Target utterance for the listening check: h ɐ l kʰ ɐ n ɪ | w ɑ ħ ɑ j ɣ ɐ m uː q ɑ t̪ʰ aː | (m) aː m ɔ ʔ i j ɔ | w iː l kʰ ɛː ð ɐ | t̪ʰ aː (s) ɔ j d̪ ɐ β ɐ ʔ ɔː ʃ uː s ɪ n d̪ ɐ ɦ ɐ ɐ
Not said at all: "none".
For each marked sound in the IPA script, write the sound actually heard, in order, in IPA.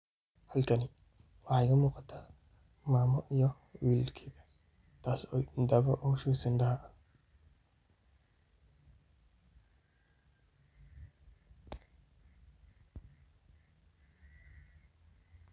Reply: m, s

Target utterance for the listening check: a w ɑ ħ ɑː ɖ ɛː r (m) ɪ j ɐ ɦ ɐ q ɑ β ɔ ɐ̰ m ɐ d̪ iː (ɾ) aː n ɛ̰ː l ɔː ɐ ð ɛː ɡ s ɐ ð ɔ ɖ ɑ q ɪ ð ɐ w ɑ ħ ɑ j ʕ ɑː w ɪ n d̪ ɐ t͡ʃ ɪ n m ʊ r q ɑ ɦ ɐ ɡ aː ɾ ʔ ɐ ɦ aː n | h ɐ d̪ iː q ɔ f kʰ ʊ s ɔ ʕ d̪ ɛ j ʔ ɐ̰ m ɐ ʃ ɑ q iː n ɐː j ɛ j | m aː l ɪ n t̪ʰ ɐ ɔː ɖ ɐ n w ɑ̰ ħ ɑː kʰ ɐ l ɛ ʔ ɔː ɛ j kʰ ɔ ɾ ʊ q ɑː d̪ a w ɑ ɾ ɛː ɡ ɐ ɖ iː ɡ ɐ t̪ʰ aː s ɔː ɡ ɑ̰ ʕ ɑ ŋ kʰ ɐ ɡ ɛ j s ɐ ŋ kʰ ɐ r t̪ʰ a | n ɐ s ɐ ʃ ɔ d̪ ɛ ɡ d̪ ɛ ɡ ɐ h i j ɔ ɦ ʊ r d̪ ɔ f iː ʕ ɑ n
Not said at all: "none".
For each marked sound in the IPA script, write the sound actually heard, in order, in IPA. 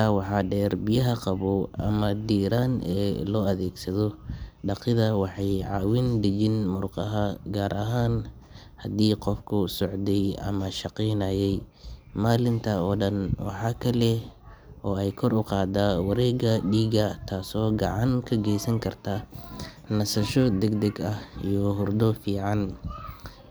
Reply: b, ɾ

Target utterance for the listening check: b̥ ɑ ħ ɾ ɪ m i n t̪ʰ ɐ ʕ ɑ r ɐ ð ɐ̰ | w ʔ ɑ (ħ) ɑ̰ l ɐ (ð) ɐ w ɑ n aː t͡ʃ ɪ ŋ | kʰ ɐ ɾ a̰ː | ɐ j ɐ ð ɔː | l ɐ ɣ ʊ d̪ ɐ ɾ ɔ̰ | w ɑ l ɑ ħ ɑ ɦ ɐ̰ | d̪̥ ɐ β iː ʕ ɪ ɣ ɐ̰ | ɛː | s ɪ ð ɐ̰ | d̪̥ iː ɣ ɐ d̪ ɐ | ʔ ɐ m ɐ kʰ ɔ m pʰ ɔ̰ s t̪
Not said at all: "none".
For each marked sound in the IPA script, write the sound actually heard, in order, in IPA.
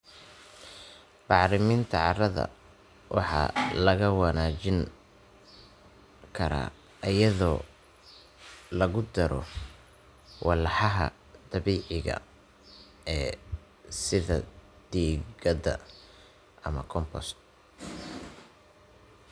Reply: ħ, ɣ

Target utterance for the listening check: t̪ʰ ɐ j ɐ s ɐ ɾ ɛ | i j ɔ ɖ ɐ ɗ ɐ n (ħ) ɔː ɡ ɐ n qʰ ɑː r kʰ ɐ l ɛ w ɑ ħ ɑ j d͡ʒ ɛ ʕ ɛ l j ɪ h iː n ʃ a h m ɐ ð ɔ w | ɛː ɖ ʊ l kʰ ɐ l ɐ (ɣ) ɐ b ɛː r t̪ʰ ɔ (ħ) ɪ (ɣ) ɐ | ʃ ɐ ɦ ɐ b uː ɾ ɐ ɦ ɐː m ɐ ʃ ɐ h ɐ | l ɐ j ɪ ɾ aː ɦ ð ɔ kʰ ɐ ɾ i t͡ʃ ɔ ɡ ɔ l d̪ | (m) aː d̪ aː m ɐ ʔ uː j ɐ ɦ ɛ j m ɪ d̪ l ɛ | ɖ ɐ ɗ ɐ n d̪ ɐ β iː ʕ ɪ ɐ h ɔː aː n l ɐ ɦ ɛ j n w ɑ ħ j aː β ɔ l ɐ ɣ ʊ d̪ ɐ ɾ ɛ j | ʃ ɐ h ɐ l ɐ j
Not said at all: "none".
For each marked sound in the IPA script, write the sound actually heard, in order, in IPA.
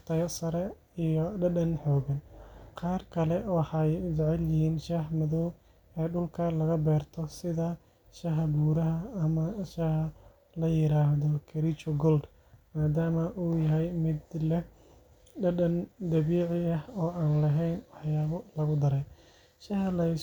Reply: ħ, ɣ, s, ð, m

